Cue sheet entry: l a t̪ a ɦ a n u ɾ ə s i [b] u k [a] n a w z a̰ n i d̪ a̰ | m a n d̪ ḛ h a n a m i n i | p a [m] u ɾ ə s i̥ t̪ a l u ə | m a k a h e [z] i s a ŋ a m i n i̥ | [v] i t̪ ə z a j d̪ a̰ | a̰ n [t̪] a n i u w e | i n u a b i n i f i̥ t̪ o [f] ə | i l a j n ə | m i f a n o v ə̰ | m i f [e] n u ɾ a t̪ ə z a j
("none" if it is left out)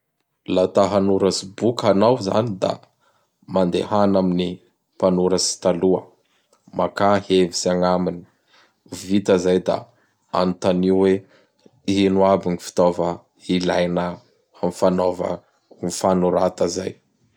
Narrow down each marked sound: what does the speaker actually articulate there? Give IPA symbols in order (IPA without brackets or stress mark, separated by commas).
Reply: b, a, n, v, v, t̪, v, a